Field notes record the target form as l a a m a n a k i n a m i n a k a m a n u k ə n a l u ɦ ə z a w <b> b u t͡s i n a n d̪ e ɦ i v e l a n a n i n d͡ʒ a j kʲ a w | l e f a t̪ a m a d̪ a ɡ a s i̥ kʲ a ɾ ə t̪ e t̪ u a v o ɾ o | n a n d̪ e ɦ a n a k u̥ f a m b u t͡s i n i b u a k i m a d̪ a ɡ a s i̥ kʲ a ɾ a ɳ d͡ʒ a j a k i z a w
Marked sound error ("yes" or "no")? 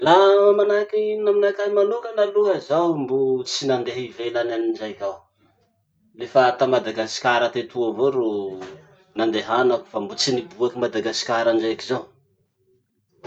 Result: yes